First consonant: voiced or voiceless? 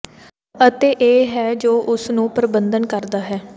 voiceless